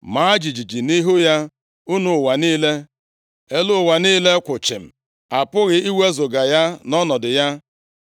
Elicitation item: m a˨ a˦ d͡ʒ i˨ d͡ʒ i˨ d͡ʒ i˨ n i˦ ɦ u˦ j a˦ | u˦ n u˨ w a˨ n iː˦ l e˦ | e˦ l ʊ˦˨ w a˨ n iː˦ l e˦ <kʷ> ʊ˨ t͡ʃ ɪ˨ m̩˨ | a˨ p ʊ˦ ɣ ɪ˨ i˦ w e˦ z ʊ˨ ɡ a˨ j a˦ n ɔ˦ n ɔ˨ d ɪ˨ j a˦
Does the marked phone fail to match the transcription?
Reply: no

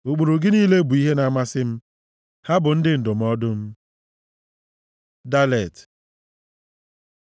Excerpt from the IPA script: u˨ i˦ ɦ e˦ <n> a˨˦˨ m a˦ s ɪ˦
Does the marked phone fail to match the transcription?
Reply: no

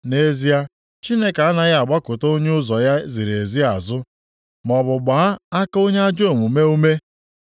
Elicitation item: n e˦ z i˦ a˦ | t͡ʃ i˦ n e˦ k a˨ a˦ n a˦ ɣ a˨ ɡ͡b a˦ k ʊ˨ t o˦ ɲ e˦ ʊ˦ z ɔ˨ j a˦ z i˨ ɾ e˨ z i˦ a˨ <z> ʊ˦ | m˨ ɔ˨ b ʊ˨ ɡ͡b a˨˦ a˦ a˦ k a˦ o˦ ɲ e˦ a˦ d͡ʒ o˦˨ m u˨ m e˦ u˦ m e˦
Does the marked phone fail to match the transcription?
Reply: no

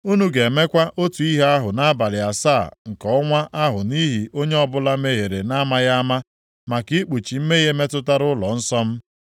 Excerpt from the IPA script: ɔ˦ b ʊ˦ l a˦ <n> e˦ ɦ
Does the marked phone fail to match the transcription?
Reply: yes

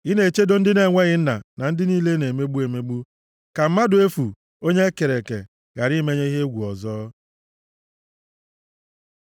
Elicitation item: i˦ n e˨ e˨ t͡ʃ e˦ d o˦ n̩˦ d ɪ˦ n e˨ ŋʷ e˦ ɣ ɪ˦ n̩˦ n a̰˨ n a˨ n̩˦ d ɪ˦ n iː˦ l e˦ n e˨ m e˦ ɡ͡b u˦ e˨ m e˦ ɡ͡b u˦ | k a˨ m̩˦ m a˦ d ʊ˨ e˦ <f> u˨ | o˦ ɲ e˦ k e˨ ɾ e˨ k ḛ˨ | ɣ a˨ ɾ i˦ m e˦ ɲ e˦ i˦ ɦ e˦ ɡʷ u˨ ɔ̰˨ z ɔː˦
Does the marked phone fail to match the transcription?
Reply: no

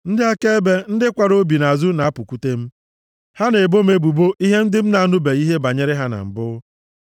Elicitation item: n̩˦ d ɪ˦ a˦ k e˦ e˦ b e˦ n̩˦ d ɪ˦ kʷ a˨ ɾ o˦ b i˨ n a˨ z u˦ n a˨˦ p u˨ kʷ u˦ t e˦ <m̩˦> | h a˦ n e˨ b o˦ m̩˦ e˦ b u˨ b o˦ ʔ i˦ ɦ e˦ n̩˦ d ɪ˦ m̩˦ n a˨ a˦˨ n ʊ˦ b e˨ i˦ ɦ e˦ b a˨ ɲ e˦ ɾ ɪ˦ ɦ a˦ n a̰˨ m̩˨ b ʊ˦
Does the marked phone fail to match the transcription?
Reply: no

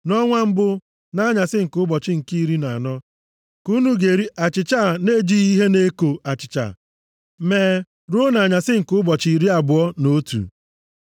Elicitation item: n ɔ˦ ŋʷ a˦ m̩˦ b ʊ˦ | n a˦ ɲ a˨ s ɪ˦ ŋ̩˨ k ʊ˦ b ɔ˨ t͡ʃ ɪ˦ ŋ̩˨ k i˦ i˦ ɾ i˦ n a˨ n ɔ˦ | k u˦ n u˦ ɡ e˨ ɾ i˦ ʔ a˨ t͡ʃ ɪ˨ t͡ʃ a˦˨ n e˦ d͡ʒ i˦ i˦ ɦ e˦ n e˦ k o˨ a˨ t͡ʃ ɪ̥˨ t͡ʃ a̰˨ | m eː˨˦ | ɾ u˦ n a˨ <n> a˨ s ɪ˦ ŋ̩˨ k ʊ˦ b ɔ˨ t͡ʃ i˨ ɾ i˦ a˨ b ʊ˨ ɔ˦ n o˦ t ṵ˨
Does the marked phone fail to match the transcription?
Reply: yes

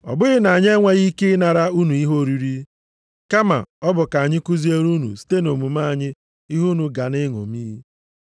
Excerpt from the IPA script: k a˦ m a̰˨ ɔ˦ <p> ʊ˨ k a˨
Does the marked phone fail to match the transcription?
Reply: yes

